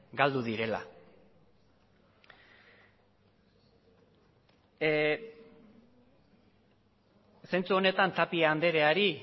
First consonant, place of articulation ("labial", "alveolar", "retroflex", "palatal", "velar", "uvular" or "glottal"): velar